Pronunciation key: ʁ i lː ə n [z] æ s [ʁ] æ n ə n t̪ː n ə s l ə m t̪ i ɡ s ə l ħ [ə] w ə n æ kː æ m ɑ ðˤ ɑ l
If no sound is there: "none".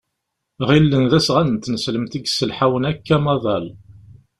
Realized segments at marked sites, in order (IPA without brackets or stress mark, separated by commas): ð, ʁ, a